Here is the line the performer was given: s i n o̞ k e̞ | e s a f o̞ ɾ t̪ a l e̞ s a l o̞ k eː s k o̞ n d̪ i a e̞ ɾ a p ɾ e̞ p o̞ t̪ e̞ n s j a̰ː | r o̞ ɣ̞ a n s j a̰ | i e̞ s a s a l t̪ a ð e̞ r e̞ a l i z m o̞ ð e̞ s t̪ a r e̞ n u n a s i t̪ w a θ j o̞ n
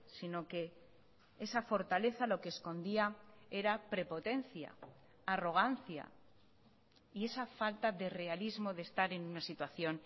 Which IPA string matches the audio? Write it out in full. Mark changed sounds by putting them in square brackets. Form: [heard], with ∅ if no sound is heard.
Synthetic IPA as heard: s i n o̞ k e̞ | e s a f o̞ ɾ t̪ a l e̞ [θ] a l o̞ k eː s k o̞ n d̪ i a e̞ ɾ a p ɾ e̞ p o̞ t̪ e̞ n [θ] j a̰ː | r o̞ ɣ̞ a n [θ] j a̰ | i e̞ s a [f] a l t̪ a ð e̞ r e̞ a l i z m o̞ ð e̞ s t̪ a [ɾ] e̞ n u n a s i t̪ w a θ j o̞ n